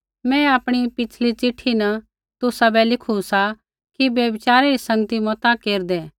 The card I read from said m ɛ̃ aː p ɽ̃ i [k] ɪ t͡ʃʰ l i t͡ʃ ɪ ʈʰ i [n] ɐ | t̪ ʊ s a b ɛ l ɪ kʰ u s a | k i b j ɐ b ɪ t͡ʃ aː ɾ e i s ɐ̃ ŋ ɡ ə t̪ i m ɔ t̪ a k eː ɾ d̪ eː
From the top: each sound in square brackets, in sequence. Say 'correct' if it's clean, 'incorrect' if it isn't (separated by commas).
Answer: incorrect, correct